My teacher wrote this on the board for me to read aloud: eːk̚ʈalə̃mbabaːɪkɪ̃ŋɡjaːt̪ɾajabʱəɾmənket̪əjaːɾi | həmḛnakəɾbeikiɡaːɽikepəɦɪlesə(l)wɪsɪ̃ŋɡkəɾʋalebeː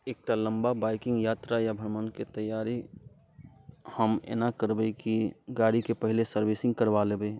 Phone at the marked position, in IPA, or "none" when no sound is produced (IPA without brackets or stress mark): ɾ